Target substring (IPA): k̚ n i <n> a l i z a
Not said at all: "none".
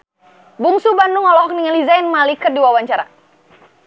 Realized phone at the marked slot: ŋ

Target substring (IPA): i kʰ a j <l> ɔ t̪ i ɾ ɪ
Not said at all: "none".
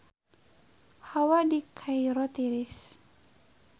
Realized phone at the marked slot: ɾ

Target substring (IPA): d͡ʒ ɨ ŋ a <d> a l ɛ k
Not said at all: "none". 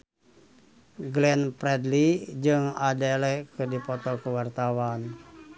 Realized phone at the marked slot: d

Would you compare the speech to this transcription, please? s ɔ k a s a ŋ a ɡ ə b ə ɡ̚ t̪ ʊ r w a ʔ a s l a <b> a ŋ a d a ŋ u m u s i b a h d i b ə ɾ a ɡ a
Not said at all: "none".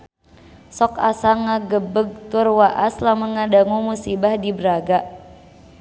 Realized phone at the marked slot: m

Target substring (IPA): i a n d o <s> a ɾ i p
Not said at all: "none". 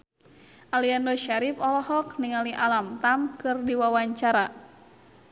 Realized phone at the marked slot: ʃ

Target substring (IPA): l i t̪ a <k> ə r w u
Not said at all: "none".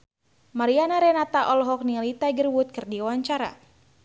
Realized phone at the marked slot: ɡ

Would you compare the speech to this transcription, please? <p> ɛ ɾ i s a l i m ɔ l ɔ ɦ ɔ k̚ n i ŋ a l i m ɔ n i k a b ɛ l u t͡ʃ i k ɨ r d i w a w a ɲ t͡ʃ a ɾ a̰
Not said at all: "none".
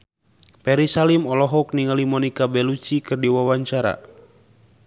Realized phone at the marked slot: p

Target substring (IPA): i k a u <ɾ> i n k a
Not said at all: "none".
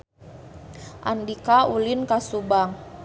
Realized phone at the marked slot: l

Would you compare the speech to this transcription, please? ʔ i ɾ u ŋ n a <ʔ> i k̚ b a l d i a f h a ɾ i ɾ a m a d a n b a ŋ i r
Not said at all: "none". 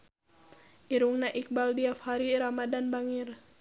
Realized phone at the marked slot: ʔ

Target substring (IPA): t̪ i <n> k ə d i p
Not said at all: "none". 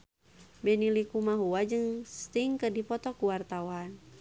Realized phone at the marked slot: ŋ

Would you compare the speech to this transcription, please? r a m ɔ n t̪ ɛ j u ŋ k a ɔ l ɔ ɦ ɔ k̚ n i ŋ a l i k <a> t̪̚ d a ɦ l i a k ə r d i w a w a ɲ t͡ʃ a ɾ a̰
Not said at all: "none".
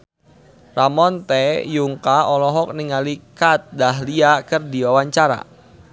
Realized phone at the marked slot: a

